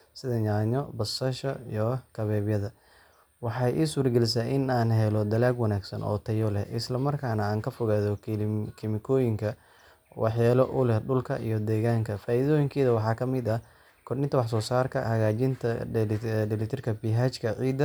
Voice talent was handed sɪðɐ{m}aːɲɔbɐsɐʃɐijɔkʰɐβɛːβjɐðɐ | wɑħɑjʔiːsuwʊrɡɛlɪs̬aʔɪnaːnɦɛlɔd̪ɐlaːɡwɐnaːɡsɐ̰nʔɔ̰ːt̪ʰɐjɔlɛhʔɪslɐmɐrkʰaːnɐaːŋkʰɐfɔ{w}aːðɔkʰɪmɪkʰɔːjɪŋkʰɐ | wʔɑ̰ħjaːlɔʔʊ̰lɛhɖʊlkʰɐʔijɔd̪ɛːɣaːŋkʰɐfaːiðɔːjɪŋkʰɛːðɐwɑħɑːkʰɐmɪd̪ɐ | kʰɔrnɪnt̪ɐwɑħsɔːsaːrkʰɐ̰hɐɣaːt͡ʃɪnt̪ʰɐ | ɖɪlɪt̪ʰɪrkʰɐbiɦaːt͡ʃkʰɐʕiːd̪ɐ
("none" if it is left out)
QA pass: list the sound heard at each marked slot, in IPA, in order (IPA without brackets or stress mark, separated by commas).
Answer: ɲ, ɣ